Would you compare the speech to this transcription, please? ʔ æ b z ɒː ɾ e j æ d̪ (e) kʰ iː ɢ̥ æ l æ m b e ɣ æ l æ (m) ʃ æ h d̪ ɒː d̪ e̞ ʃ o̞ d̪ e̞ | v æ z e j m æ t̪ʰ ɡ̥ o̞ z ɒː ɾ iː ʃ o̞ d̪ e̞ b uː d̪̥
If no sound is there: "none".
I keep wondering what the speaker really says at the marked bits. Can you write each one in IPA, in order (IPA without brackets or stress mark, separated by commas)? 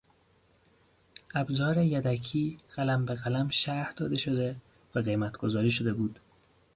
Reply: æ, m